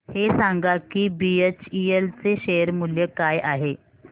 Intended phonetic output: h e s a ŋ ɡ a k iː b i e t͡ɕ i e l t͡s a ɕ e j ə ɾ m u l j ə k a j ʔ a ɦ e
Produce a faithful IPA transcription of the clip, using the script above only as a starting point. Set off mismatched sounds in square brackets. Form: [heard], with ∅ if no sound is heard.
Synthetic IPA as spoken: h e s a ŋ ɡ a k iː b i e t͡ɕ i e l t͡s [e] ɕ e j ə ɾ m u l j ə k a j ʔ a ɦ e